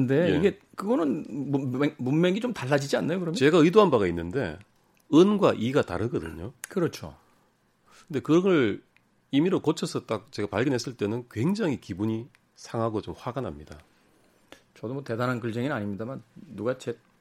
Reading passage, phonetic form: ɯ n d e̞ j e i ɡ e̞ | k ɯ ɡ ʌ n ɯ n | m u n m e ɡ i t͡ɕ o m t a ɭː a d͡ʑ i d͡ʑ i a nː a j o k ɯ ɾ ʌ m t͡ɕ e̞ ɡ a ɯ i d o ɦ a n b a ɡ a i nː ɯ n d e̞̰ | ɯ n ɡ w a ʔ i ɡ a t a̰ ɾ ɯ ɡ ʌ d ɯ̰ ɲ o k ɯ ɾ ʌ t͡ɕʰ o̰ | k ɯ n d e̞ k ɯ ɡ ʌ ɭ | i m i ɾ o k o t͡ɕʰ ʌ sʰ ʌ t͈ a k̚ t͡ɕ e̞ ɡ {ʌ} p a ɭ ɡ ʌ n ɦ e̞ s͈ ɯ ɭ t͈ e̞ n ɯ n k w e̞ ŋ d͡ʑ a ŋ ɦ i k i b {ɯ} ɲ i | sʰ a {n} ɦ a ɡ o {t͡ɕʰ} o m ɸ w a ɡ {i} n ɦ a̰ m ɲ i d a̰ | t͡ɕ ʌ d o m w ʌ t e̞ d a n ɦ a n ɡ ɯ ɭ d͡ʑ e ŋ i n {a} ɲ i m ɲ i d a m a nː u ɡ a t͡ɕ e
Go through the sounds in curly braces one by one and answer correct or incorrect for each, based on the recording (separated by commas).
incorrect, incorrect, incorrect, incorrect, incorrect, correct